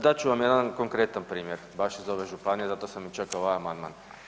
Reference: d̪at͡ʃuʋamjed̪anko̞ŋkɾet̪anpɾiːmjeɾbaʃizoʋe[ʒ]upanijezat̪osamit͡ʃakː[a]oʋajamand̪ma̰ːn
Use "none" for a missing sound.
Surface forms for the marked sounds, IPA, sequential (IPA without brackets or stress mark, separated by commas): ʒ, a